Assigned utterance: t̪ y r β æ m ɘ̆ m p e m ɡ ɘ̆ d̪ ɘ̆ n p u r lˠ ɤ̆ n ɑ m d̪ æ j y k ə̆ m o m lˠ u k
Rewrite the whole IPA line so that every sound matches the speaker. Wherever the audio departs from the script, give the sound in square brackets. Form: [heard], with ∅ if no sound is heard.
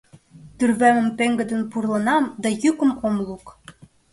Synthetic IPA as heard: t̪ y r β æ m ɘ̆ m p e [ŋ] ɡ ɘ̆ d̪ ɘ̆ n p u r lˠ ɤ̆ n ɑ m d̪ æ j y k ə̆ m o m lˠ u k